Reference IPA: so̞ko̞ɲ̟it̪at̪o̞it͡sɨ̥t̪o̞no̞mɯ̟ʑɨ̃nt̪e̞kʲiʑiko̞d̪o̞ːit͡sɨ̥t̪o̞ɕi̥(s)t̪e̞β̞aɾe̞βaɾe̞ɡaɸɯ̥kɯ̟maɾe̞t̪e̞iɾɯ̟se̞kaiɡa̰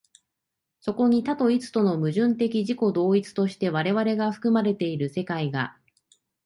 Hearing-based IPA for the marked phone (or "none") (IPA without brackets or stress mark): none